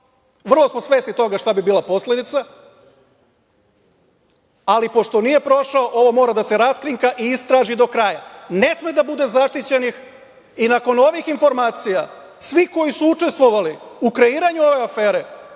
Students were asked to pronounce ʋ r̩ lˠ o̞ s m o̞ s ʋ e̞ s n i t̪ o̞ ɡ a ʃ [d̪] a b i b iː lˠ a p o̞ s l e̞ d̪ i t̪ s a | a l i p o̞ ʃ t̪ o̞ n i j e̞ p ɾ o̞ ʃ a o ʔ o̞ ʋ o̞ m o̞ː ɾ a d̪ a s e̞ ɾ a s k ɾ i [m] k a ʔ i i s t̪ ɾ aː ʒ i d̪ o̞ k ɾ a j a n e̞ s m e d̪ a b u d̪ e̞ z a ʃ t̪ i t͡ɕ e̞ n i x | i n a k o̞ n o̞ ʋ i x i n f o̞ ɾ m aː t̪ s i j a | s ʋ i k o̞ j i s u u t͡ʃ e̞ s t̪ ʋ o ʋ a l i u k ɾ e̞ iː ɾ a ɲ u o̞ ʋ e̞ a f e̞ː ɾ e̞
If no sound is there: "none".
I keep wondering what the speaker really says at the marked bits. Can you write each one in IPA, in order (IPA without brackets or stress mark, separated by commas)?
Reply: t̪, ŋ